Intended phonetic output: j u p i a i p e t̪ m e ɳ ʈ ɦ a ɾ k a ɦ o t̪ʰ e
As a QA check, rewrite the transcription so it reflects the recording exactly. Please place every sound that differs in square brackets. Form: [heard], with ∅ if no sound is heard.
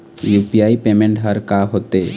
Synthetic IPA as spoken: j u p i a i p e [∅] m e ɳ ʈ ɦ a ɾ k a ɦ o [t̪] e